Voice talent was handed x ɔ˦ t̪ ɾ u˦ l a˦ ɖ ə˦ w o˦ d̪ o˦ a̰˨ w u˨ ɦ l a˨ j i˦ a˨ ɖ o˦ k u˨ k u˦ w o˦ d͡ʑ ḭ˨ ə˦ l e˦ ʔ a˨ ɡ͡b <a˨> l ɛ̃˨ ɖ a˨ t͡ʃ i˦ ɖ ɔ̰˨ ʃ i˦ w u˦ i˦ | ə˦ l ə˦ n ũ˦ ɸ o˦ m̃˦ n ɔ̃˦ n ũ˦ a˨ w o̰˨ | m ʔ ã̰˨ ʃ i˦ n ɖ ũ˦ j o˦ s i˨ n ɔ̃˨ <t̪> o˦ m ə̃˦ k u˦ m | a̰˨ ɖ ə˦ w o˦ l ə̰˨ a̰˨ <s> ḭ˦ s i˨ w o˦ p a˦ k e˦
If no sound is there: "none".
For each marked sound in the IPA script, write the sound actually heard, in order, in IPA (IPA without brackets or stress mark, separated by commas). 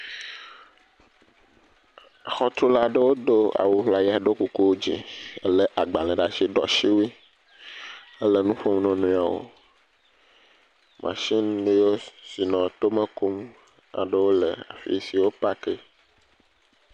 a˨, t̪, f